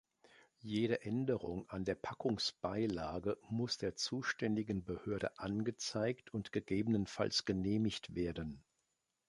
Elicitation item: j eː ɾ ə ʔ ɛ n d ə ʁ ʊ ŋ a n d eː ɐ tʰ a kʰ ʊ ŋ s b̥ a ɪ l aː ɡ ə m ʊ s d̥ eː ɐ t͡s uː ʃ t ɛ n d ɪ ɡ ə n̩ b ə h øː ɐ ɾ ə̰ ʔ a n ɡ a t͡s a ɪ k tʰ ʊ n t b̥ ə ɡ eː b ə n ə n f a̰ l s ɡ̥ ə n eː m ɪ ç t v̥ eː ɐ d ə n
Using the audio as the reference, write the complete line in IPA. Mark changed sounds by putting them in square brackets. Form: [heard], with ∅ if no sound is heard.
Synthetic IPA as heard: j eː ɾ ə ʔ ɛ n d ə ʁ ʊ ŋ a n d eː ɐ [pʰ] a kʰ ʊ ŋ s b̥ a ɪ l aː ɡ ə m ʊ s d̥ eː ɐ t͡s uː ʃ t ɛ n d ɪ ɡ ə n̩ b ə h øː ɐ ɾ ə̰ ʔ a n ɡ [ə] t͡s a ɪ k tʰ ʊ n t [ɡ̥] ə ɡ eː b ə n ə n f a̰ l s ɡ̥ ə n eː m ɪ ç t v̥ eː ɐ d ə n

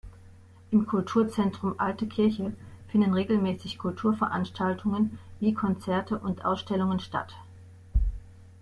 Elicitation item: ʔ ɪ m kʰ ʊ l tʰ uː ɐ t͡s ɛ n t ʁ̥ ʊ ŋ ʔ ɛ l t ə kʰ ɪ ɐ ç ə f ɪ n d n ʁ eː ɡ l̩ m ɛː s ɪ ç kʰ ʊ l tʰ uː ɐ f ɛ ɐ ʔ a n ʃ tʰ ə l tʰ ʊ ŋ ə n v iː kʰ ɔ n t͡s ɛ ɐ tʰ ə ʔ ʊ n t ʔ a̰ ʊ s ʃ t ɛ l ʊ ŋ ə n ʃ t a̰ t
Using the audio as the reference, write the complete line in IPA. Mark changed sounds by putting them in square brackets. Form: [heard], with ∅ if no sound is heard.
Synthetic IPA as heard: ʔ ɪ m kʰ ʊ l tʰ uː ɐ t͡s ɛ n t ʁ̥ ʊ [m] ʔ [a] l t ə kʰ ɪ ɐ ç ə f ɪ n d n ʁ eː ɡ l̩ m ɛː s ɪ ç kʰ ʊ l tʰ uː ɐ f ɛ ɐ ʔ a n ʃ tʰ [a] l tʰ ʊ ŋ ə n v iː kʰ ɔ n t͡s ɛ ɐ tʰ ə ʔ ʊ n t ʔ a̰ ʊ s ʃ t ɛ l ʊ ŋ ə n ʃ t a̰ t

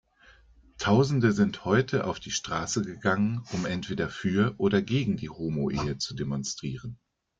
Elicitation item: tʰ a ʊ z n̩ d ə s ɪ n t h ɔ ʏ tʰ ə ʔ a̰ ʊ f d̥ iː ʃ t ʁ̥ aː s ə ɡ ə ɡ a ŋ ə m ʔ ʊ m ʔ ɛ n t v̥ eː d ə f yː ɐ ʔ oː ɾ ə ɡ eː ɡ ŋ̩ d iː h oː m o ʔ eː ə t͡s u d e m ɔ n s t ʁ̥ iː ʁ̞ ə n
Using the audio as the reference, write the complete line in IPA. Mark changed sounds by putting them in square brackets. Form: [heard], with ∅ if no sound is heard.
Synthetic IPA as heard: tʰ a ʊ z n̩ d ə [z] ɪ n t h ɔ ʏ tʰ ə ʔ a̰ ʊ f d̥ iː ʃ t ʁ̥ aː s ə ɡ ə ɡ a ŋ ə [n] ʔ ʊ m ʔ ɛ n t v̥ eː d [ɐ] f yː ɐ ʔ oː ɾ [ɐ] ɡ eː ɡ ŋ̩ d iː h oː m o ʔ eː ə t͡s u d e m ɔ n s t ʁ̥ iː ʁ̞ ə n

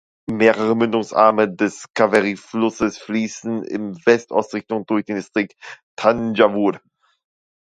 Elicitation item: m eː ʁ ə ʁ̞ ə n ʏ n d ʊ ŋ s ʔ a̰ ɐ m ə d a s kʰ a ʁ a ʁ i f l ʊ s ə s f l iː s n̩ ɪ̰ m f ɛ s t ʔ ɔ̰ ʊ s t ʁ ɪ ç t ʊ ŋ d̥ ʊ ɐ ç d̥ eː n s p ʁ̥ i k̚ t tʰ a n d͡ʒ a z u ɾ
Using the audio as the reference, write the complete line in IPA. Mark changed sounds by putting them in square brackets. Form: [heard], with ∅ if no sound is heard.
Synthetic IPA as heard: m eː ʁ ə ʁ̞ ə [m] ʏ n d ʊ ŋ s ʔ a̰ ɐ m ə d [ɛ] s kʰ a [v] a ʁ i f l ʊ s ə s f l iː s n̩ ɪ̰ m [v] ɛ s t ʔ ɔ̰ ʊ s t ʁ ɪ ç t ʊ ŋ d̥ ʊ ɐ ç d̥ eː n s [t] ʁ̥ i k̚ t tʰ a n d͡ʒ a [v] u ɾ

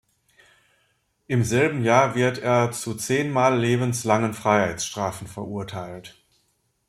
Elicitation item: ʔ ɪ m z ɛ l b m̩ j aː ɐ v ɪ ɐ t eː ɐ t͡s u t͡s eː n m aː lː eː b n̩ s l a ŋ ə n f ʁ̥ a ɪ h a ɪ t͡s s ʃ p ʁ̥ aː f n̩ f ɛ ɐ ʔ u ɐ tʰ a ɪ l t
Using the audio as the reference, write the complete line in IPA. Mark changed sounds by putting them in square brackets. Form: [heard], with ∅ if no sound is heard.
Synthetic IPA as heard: ʔ ɪ m z ɛ l b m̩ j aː ɐ v ɪ ɐ t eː ɐ t͡s u t͡s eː n m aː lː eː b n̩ s l a ŋ ə n f ʁ̥ a ɪ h a ɪ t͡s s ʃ [t] ʁ̥ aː f n̩ f ɛ ɐ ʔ u ɐ tʰ a ɪ l t

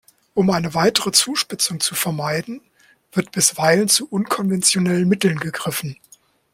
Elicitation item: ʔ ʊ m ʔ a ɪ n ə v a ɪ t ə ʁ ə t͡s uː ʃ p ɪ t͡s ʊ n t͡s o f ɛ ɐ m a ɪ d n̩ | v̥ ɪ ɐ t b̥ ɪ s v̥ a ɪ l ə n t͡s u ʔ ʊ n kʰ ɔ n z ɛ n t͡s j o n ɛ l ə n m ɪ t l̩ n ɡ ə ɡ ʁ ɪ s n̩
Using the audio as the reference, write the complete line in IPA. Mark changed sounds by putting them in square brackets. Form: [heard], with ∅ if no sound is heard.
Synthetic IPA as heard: ʔ ʊ m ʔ a ɪ n ə v a ɪ t ə ʁ ə t͡s uː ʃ p ɪ t͡s ʊ [ŋ] t͡s [u] f ɛ ɐ m a ɪ d n̩ | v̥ ɪ ɐ t b̥ ɪ s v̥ a ɪ l ə n t͡s u ʔ ʊ n kʰ ɔ n [v] ɛ n t͡s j o n ɛ l ə n m ɪ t l̩ n ɡ ə ɡ ʁ ɪ [f] n̩

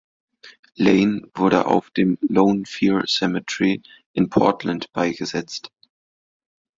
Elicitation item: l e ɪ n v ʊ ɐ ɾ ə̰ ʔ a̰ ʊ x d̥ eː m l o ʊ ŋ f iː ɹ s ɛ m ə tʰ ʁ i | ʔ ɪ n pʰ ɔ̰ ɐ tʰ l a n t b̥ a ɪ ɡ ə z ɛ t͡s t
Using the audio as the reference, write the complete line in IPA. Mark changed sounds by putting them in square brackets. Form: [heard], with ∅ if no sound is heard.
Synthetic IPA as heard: l e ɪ n v ʊ ɐ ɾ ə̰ ʔ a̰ ʊ [f] d̥ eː m l o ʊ [n] f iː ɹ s ɛ m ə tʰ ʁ i | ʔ ɪ n pʰ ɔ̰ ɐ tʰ l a n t b̥ a ɪ ɡ ə z ɛ t͡s t

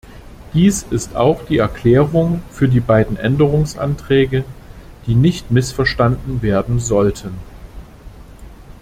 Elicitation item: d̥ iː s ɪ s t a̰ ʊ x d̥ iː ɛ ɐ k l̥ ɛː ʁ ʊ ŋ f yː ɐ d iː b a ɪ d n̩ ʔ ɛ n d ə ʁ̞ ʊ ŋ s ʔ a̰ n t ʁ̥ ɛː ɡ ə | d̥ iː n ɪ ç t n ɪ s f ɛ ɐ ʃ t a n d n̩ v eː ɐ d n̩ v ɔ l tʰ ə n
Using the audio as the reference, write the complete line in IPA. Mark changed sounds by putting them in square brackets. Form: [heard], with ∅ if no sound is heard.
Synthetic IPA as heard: d̥ iː s ɪ s t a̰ ʊ x d̥ iː ɛ ɐ k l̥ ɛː ʁ ʊ ŋ f yː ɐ d iː b a ɪ d n̩ ʔ ɛ n d ə ʁ̞ ʊ ŋ s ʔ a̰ n t ʁ̥ ɛː ɡ ə | d̥ iː n ɪ ç t [m] ɪ s f ɛ ɐ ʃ t a n d n̩ v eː ɐ d n̩ [z] ɔ l tʰ ə n

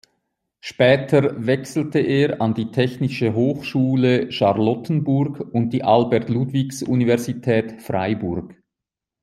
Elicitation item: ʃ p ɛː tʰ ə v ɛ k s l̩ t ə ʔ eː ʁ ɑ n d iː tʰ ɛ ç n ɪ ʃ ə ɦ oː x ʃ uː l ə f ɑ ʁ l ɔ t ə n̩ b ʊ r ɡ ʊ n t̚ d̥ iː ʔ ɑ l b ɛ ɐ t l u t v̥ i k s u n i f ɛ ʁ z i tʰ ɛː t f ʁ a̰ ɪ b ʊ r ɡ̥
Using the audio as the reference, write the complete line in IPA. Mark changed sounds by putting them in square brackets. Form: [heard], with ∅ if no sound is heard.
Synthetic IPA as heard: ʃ p ɛː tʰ ə v ɛ k s l̩ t ə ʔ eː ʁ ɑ n d iː tʰ ɛ ç n ɪ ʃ ə ɦ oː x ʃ uː l ə [ʃ] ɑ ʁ l ɔ t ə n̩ b ʊ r ɡ ʊ n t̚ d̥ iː ʔ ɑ l b ɛ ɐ t l u t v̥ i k s u n i [v] ɛ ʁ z i tʰ ɛː t f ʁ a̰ ɪ b ʊ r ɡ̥

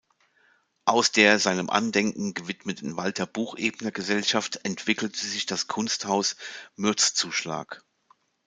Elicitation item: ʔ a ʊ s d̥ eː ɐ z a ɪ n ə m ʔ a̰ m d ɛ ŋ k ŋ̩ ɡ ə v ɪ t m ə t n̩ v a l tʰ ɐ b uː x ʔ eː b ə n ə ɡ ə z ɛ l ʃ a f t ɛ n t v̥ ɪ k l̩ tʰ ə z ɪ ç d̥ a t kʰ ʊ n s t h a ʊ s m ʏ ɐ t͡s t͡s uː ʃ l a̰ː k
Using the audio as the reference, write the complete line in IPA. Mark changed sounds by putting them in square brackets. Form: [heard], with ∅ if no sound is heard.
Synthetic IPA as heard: ʔ a ʊ s d̥ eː ɐ z a ɪ n ə m ʔ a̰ [n] d ɛ ŋ k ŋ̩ ɡ ə v ɪ t m ə t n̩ v a l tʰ ɐ b uː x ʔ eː b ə n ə ɡ ə z ɛ l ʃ a f t ɛ n t v̥ ɪ k l̩ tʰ ə z ɪ ç d̥ a [s] kʰ ʊ n s t h a ʊ s m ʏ ɐ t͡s t͡s uː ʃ l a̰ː k

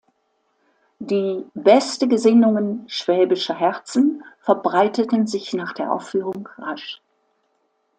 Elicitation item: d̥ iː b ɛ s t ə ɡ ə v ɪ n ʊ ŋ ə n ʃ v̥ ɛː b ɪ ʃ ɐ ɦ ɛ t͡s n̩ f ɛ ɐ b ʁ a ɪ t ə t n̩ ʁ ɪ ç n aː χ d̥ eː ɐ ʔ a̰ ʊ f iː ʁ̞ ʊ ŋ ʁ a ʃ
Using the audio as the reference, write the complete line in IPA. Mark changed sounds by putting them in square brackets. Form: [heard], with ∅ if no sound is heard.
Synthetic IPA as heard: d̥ iː b ɛ s t ə ɡ ə [z] ɪ n ʊ ŋ ə n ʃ v̥ ɛː b ɪ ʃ ɐ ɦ ɛ t͡s n̩ f ɛ ɐ b ʁ a ɪ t ə t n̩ [z] ɪ ç n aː χ d̥ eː ɐ ʔ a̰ ʊ f [yː] ʁ̞ ʊ ŋ ʁ a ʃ

